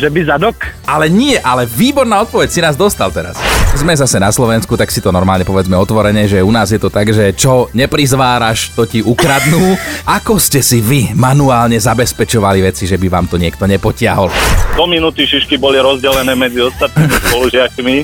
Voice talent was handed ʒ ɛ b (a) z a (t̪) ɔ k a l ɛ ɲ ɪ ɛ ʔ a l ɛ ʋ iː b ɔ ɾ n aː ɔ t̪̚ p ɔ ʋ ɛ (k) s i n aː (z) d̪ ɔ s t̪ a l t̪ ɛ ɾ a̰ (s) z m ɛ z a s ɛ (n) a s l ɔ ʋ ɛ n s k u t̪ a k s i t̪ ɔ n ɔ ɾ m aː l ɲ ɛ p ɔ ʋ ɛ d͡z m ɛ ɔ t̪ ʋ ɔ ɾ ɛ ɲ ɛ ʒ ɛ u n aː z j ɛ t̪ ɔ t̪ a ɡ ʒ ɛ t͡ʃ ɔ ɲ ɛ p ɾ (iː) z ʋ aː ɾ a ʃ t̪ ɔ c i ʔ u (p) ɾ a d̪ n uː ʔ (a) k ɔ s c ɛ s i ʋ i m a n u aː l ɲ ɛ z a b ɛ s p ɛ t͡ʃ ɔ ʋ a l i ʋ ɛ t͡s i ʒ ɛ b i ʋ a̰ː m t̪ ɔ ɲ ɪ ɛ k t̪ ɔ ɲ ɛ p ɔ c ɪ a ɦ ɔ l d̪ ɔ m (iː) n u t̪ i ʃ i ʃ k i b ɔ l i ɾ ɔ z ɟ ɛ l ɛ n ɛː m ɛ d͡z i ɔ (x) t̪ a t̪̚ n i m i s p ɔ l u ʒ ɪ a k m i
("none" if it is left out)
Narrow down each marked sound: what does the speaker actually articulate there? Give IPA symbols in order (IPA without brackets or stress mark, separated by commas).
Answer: i, d̪, c, z, s, n, i, k, a, i, s